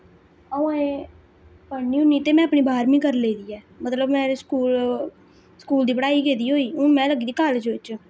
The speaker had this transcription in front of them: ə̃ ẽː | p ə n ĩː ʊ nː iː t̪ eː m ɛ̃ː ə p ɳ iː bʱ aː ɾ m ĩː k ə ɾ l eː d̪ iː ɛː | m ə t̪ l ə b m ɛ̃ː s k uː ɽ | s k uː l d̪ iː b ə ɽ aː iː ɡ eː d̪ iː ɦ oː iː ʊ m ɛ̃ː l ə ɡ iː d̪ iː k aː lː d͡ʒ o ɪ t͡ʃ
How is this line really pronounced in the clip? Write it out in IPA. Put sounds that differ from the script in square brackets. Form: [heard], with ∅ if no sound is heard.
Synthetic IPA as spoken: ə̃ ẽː | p ə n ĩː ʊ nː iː t̪ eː m ɛ̃ː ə p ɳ iː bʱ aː ɾ m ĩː k ə ɾ l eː d̪ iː ɛː | m ə t̪ l ə b m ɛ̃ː s k uː [l] | s k uː l d̪ iː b ə ɽ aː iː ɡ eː d̪ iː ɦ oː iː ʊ m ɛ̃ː l ə ɡ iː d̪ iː k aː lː d͡ʒ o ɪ t͡ʃ